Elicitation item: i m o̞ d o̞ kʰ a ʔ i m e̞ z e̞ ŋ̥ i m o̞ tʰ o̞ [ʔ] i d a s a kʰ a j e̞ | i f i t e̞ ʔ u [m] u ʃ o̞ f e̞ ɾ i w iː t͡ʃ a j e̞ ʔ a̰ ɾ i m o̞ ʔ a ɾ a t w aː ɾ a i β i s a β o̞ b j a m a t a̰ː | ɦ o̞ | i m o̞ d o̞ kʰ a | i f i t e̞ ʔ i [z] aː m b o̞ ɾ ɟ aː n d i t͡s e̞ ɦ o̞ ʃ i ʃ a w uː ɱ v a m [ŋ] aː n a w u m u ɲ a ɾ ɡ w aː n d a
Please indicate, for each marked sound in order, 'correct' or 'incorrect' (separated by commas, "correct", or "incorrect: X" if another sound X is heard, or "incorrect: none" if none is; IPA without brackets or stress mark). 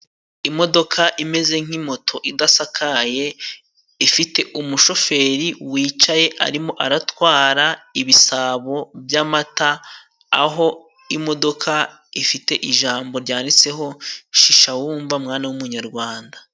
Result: correct, correct, incorrect: ʒ, correct